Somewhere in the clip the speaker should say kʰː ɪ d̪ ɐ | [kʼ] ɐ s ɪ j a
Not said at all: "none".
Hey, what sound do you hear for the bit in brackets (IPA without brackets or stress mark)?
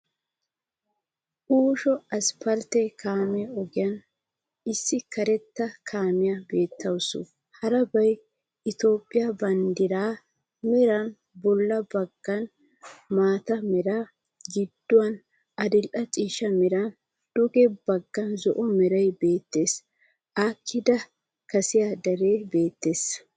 k